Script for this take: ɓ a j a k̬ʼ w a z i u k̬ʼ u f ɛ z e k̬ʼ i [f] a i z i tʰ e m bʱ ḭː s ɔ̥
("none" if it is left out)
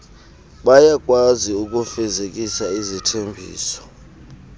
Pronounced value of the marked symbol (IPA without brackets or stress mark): s